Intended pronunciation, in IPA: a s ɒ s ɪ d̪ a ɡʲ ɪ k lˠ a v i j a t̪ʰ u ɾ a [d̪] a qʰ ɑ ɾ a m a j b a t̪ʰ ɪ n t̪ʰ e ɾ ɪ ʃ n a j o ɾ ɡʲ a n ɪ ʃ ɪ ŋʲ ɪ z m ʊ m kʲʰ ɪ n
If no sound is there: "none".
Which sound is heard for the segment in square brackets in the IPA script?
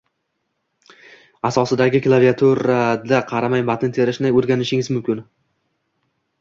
d̪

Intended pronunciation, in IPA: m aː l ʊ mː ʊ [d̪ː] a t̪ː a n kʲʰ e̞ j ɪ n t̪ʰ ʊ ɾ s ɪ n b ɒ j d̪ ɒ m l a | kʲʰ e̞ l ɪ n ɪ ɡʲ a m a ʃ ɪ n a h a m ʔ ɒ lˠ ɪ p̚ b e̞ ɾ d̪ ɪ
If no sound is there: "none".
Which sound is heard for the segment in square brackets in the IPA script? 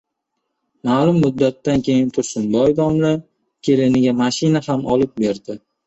d̪ː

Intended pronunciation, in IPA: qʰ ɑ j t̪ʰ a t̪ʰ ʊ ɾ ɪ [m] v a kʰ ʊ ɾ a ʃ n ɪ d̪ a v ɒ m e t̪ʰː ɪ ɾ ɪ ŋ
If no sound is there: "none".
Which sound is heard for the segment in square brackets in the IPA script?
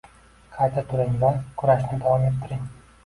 ŋ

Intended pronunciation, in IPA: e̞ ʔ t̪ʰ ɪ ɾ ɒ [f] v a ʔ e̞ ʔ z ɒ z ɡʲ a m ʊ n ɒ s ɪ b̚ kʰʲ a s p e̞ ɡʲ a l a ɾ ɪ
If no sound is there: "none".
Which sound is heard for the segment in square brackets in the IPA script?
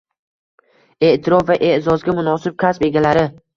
f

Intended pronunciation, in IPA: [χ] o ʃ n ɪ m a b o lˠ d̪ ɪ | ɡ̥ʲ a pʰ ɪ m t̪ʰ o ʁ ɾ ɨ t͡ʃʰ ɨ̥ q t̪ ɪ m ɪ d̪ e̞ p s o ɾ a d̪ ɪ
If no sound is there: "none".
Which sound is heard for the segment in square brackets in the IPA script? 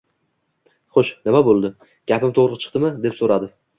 χ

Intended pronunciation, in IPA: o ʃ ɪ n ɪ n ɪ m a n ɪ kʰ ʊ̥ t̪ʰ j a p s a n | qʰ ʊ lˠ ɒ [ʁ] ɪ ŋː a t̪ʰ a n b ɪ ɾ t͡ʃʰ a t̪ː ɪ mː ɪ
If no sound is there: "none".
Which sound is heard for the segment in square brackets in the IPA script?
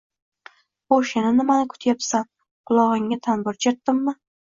ʁ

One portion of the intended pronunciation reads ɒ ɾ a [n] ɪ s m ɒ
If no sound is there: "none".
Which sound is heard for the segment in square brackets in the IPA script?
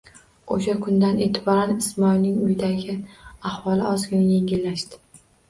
n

